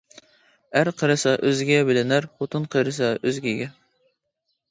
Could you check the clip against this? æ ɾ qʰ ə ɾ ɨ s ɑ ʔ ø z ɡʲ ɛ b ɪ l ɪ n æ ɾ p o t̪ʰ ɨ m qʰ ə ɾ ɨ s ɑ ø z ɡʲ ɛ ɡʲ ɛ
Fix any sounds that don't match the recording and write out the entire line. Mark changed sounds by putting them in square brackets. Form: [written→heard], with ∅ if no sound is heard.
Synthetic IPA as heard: æ ɾ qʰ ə ɾ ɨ s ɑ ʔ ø z ɡʲ ɛ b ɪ l ɪ n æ ɾ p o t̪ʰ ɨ [m→n] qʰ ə ɾ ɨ s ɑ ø z ɡʲ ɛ ɡʲ ɛ